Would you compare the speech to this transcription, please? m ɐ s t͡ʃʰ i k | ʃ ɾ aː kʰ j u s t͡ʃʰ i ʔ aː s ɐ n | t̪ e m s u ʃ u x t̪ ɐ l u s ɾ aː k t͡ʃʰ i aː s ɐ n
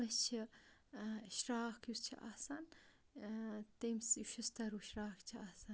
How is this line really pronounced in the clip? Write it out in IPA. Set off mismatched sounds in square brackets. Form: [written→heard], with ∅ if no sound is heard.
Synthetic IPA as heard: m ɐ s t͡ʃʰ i [k→∅] | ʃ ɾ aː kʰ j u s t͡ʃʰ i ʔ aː s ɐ n | t̪ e m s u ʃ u [x→s] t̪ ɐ [l→ɾ] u [s→ʃ] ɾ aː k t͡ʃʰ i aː s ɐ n